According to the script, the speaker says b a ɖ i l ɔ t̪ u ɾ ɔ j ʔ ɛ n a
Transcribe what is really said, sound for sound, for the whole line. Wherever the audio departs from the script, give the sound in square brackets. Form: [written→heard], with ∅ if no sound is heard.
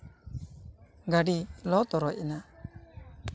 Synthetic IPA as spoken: [b→ɡ] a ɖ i l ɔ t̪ [u→ɔ] ɾ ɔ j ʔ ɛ n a